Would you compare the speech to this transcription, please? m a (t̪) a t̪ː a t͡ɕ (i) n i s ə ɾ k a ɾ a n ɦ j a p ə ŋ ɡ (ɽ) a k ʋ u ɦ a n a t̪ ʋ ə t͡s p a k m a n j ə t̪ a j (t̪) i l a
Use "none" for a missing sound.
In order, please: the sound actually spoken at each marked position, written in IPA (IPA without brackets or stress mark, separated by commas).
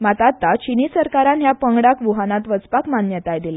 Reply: t̪, i, ɽ, d̪